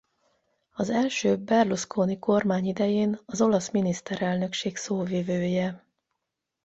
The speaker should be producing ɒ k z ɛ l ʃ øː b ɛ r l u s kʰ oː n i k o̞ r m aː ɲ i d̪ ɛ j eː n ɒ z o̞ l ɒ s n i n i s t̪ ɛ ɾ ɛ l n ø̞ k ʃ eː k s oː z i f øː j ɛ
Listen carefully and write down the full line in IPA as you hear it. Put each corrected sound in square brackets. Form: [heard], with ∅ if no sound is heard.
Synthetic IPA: ɒ [∅] z ɛ l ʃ øː b ɛ r l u s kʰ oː n i k o̞ r m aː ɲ i d̪ ɛ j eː n ɒ z o̞ l ɒ s [m] i n i s t̪ ɛ ɾ ɛ l n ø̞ k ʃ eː k s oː [v] i [v] øː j ɛ